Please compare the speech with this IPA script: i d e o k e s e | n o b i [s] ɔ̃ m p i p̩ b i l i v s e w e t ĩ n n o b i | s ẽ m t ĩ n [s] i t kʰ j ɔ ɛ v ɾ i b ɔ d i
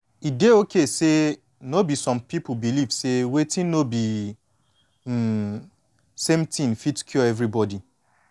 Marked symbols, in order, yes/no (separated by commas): yes, no